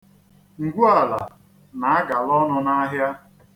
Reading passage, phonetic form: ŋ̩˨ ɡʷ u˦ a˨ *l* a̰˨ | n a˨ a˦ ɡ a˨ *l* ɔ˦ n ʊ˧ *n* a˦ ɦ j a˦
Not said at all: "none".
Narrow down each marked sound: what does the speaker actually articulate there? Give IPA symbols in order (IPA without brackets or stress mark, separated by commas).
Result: l, l, n